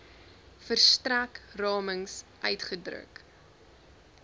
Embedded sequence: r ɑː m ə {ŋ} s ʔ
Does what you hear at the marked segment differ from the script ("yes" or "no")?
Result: no